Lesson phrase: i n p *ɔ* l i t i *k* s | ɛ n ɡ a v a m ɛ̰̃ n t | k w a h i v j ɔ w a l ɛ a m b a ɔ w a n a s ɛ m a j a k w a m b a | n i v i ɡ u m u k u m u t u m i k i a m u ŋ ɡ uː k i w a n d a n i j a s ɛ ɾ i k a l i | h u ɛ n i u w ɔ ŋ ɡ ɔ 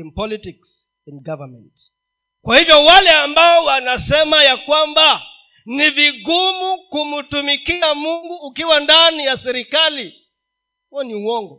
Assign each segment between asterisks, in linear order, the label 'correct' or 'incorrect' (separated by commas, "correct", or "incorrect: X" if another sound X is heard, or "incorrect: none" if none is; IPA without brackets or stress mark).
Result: correct, correct